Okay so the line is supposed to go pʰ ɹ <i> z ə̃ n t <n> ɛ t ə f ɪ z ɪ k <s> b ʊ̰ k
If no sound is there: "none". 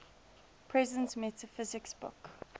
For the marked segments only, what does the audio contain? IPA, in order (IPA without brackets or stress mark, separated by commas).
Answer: ɛ, m, s